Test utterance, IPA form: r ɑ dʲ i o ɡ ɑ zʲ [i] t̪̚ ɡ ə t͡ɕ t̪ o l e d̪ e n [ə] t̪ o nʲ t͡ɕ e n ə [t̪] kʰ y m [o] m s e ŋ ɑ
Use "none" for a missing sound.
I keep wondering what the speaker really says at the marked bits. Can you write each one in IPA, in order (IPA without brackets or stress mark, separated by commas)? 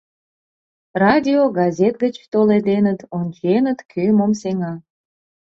e, ə, t̪, o